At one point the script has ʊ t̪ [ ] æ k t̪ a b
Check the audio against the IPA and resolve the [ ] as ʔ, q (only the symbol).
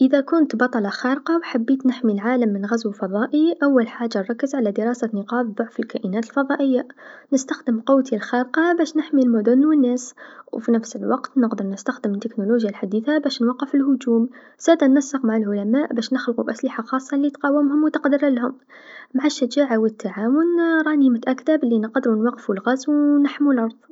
ʔ